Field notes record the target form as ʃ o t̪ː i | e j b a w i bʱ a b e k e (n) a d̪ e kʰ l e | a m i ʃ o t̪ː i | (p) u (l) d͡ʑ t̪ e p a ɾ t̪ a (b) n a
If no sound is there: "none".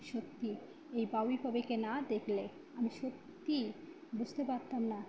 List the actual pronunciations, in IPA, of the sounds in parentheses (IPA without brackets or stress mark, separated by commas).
n, b, none, m